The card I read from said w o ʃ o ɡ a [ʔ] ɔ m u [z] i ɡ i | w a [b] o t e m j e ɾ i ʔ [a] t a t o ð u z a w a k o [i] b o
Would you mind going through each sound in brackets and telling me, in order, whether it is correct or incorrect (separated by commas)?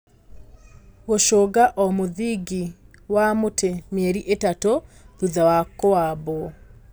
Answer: correct, incorrect, incorrect, incorrect, incorrect